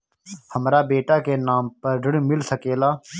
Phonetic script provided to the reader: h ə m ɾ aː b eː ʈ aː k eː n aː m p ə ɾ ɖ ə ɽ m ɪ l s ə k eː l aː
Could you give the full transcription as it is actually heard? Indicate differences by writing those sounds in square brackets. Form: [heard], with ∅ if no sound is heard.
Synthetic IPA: h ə m ɾ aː b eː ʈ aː k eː n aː m p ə ɾ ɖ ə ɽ m ɪ l s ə k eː l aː